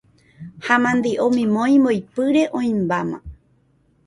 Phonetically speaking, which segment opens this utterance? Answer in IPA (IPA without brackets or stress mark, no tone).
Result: h